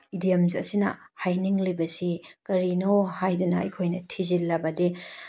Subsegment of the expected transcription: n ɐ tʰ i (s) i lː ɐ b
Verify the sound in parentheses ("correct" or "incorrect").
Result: incorrect